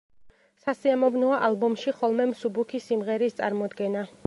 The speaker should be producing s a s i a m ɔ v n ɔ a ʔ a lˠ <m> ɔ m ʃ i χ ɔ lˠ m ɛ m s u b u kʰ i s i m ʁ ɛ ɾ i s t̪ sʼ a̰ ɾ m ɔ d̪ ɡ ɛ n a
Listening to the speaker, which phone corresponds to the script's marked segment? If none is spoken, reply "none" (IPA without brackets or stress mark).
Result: b